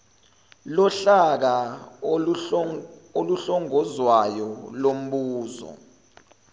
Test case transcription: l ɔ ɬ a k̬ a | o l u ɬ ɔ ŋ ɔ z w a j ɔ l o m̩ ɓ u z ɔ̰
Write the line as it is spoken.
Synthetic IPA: l ɔ ɬ a k̬ a | o l u ɬ ɔ ŋ ɔ z w a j ɔ l o m̩ ɓ uː z ɔ̰